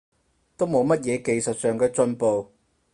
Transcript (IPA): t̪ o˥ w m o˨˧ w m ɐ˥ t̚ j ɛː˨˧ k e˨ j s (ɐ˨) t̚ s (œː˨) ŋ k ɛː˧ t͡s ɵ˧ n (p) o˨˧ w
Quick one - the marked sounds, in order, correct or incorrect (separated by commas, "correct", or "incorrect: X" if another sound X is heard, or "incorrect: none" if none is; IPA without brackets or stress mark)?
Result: correct, correct, correct